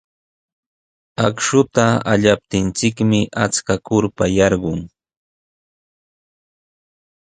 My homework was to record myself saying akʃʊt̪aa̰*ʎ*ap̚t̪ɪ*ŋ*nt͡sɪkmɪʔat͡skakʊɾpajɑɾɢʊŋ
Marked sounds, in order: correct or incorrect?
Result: correct, incorrect: none

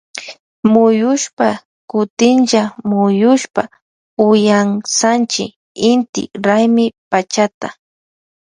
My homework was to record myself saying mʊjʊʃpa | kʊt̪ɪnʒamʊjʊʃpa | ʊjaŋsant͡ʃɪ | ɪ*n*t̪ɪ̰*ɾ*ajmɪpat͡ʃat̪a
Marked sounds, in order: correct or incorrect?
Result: correct, correct

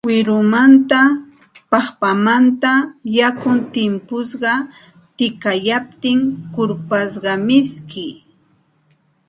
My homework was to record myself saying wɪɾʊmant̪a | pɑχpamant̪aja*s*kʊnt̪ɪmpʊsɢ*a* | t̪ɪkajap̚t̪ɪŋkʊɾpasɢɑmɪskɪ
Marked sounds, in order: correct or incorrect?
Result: incorrect: none, incorrect: ɑ

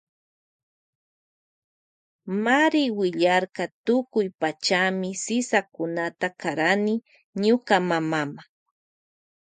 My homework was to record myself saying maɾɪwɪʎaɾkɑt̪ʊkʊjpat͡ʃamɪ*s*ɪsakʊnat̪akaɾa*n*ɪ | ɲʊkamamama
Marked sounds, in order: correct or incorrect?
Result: correct, correct

